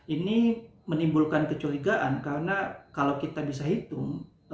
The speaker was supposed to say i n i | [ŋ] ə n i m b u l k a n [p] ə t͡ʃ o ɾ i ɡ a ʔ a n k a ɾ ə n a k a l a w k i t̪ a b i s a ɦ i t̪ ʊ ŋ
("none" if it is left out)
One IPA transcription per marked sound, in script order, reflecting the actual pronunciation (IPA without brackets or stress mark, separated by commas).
m, k